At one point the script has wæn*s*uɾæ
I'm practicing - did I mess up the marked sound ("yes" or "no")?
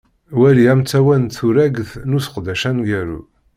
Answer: yes